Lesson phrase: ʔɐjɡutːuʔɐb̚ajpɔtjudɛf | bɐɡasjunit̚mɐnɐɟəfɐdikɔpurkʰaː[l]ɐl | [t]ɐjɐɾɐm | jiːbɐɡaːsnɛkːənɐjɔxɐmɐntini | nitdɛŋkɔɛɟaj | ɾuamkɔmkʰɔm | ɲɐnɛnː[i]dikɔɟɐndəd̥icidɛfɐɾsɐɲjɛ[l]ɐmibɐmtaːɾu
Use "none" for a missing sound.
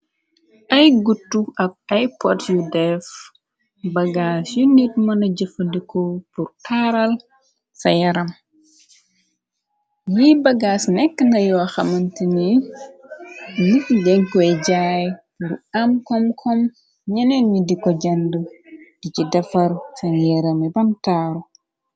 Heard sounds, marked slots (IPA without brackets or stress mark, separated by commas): ɾ, s, i, ɾ